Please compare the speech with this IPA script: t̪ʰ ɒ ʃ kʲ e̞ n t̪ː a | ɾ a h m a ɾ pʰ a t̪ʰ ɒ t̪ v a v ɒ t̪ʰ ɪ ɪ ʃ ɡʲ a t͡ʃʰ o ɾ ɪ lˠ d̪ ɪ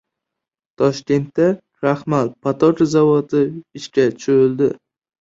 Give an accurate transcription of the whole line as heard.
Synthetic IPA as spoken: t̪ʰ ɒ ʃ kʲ e̞ n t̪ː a | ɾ a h m a l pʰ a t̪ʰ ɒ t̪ z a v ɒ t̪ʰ ɪ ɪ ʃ kʲ a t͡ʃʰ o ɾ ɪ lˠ d̪ ɪ